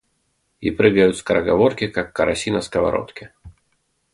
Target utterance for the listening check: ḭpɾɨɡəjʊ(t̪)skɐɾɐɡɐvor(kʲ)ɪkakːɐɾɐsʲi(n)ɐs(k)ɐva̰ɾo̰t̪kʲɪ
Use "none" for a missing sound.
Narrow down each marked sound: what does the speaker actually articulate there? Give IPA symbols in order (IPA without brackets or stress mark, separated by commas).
t̪, kʲ, n, k